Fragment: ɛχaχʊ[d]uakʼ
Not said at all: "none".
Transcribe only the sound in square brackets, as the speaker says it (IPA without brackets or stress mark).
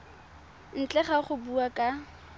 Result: b